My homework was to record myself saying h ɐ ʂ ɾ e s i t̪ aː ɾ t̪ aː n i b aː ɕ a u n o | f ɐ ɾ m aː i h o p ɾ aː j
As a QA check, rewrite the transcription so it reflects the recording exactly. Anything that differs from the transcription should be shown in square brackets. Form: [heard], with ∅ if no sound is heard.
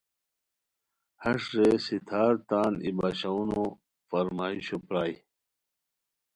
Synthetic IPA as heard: h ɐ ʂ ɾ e s i [t̪ʰ] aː ɾ t̪ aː n i b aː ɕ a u n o | f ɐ ɾ m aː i [ɕ] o p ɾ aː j